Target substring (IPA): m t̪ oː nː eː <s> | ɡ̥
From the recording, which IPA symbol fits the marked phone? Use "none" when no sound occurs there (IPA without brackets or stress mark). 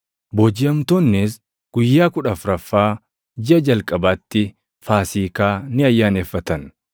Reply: s